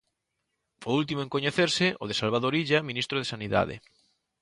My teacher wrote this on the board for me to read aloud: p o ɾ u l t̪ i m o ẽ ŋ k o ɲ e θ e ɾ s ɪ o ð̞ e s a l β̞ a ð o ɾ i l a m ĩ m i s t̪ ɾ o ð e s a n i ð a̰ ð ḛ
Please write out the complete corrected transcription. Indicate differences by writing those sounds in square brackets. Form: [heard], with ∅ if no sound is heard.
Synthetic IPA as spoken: p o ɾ u l t̪ i m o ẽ ŋ k o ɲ e θ e ɾ s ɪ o ð̞ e s a l β̞ a ð o ɾ i [ʎ] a m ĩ [n] i s t̪ ɾ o ð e s a n i ð a̰ ð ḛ

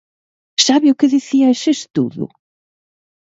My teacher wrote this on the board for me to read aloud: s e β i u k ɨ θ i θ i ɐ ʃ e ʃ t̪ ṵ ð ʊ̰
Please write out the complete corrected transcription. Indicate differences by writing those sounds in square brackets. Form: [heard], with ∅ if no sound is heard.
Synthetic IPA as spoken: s [a] β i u k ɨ [ð] i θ i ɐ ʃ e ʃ t̪ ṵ ð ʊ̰

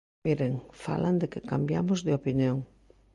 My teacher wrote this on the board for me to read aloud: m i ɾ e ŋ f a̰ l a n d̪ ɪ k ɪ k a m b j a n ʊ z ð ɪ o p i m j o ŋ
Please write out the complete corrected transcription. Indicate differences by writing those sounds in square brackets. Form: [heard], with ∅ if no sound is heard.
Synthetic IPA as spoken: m i ɾ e ŋ f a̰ l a n d̪ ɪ k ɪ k a m b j a [m] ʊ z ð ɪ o p i [n] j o ŋ

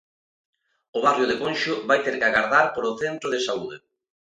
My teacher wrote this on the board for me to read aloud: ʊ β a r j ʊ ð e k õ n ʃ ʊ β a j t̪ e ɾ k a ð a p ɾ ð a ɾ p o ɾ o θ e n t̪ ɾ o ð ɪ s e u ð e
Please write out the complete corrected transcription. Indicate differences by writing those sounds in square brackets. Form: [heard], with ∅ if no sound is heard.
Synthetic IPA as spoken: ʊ β a r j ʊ ð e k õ n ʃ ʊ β a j t̪ e ɾ k a [ɣ] a [∅] ɾ ð a ɾ p o ɾ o θ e n t̪ ɾ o ð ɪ s [a] u ð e

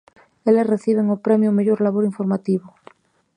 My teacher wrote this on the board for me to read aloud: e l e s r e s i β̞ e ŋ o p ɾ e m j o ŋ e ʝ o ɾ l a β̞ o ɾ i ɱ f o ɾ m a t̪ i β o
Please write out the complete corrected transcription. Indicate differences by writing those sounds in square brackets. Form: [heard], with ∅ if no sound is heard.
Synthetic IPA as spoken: e l e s r e [θ] i β̞ e ŋ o p ɾ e m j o [m] e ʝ o ɾ l a β̞ o ɾ i ɱ f o ɾ m a t̪ i β o

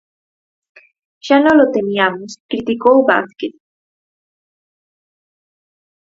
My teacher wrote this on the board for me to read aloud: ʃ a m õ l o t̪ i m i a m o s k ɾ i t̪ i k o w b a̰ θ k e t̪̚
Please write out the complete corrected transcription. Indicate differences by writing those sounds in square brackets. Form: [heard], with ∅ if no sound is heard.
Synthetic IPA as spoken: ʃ a [n] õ l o t̪ [e] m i a m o s k ɾ i t̪ i k o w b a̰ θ k e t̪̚

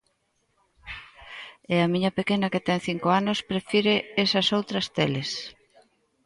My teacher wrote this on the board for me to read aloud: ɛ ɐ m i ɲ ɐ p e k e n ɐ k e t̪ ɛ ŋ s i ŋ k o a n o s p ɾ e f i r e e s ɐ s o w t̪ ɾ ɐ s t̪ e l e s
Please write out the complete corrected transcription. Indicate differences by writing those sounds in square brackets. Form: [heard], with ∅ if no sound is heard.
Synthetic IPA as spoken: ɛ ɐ m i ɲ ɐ p e k e n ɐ k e t̪ ɛ ŋ [θ] i ŋ k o a n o s p ɾ e f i [ɾ] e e s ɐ s o w t̪ ɾ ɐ s t̪ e l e s

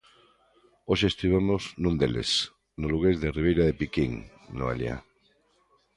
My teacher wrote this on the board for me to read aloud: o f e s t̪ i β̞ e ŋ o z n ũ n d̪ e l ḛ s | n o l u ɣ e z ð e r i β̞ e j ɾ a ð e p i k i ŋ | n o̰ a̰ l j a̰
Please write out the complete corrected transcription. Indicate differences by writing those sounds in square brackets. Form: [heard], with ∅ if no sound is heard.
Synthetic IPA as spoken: o [ʃ] e s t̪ i β̞ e [m] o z n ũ n d̪ e l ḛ s | n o l u ɣ e z ð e r i β̞ e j ɾ a ð e p i k i ŋ | n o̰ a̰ l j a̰

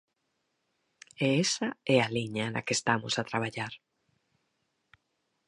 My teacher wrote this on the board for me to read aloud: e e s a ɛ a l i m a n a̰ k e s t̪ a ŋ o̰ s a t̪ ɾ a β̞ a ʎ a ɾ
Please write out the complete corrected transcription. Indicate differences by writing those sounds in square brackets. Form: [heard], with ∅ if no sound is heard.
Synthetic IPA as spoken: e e s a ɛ a l i [ɲ] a n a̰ k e s t̪ a [m] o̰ s a t̪ ɾ a β̞ a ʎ a ɾ

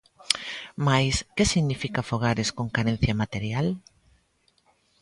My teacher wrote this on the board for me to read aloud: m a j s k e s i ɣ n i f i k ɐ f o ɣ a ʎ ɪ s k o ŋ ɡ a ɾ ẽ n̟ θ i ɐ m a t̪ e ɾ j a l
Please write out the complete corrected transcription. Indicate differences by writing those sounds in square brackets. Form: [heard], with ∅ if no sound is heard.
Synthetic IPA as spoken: m a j s k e s i ɣ n i f i k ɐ f o ɣ a [ɾ] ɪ s k o ŋ [k] a ɾ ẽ n̟ θ [j] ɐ m a t̪ e ɾ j a l

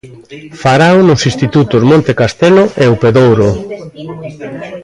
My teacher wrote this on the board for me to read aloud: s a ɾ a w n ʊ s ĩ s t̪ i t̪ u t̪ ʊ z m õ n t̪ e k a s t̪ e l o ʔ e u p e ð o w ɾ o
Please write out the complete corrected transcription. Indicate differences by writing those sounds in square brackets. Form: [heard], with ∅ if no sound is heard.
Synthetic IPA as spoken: [f] a ɾ a w n ʊ s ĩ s t̪ i t̪ u t̪ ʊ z m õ n t̪ e k a s t̪ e l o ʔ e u p e ð o w ɾ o

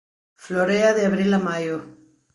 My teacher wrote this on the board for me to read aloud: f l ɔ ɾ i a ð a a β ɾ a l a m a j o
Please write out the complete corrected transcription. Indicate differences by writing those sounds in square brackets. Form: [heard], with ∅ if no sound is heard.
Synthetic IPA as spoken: f l [o] ɾ [e] a ð [e] a β ɾ [i] l a m a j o

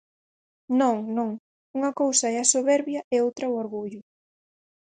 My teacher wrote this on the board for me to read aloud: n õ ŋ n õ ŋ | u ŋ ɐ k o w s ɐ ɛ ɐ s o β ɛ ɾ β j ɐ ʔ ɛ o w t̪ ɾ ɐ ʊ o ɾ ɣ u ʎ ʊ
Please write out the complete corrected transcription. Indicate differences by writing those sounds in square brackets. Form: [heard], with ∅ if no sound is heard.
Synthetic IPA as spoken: n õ ŋ n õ ŋ | u ŋ ɐ k o w s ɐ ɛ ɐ s o β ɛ ɾ β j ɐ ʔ ɛ o w t̪ ɾ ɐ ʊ o ɾ ɣ u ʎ ʊ

